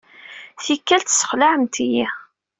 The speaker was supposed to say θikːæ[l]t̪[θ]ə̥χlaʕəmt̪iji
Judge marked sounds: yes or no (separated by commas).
yes, no